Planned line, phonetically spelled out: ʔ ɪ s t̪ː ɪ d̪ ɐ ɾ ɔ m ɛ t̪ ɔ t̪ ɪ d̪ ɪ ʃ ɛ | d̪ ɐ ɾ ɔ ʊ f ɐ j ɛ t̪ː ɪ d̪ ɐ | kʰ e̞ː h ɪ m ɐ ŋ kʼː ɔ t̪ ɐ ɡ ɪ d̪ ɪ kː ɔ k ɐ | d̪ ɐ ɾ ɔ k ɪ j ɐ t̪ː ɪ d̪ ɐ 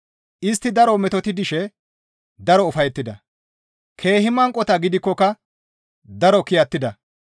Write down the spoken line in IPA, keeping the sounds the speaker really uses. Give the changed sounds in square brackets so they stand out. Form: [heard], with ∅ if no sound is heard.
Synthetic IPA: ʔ ɪ s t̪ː ɪ d̪ ɐ ɾ ɔ m ɛ t̪ ɔ t̪ ɪ d̪ ɪ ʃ ɛ | d̪ ɐ ɾ ɔ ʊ f ɐ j ɛ t̪ː ɪ d̪ ɐ | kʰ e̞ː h ɪ m ɐ ŋ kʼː ɔ t̪ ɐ ɡ ɪ d̪ ɪ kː ɔ k ɐ | d̪ ɐ ɾ ɔ k ɪ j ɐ t̪ː ɪ d̪ ɐ